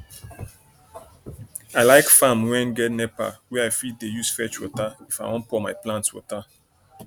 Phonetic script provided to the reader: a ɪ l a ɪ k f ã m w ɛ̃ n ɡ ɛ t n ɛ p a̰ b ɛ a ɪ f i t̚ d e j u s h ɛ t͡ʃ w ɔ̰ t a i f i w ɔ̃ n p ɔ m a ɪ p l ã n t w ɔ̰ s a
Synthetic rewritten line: a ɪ l a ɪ k f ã m w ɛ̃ n ɡ ɛ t n ɛ p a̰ w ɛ a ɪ f i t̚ d e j u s f ɛ t͡ʃ w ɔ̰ t a i f a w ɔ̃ n p ɔ m a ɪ p l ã n t w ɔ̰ t a